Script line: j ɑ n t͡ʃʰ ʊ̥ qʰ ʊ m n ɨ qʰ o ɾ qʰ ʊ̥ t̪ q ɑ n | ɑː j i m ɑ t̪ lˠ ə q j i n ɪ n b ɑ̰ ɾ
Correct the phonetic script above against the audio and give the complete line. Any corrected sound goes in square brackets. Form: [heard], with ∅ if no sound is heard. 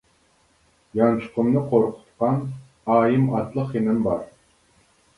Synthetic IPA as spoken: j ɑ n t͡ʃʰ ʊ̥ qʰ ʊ m n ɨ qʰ o ɾ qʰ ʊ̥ t̪ q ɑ n | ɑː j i m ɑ t̪ lˠ ə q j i n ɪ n b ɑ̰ ɾ